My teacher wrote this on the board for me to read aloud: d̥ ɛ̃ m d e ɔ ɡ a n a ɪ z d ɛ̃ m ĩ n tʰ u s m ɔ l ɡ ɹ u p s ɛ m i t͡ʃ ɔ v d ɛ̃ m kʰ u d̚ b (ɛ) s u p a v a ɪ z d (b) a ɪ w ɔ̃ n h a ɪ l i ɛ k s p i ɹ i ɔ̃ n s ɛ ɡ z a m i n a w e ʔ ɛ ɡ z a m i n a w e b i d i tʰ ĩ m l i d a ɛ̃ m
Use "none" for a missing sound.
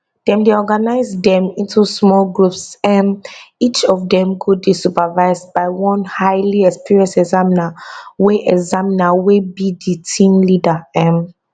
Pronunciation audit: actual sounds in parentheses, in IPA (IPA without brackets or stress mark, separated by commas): i, b